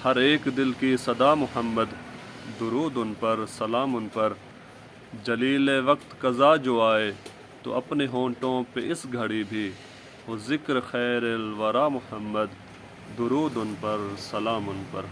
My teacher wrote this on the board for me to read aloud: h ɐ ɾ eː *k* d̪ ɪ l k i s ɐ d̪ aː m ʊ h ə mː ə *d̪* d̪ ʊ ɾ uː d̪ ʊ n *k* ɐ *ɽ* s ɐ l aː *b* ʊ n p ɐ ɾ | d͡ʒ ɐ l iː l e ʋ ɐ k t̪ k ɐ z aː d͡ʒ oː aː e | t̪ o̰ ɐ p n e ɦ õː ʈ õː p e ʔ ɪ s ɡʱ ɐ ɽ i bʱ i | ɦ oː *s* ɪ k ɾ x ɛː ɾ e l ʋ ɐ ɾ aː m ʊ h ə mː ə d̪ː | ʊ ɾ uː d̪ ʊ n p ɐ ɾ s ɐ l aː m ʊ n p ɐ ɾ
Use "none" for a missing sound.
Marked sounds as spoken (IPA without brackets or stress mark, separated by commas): k, d̪, p, ɾ, m, z